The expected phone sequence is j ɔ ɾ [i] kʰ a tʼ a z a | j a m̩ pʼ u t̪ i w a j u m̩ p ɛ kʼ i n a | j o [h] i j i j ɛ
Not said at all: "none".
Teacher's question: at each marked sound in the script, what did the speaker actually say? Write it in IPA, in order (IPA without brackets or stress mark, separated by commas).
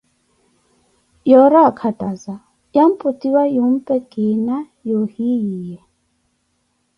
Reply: a, h